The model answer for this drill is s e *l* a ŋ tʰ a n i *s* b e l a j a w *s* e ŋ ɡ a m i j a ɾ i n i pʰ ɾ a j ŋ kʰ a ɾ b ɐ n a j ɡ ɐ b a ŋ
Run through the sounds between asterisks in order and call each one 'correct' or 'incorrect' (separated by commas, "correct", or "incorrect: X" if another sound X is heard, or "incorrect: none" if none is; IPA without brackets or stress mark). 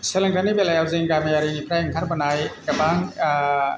correct, incorrect: none, incorrect: z